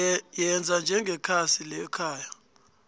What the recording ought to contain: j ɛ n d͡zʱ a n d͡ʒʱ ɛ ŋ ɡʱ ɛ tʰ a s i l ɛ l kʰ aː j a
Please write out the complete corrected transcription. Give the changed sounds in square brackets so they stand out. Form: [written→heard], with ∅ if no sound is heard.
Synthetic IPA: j ɛ n d͡zʱ a n d͡ʒʱ ɛ ŋ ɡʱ ɛ [tʰ→kʰ] a s i l ɛ [l→∅] kʰ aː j a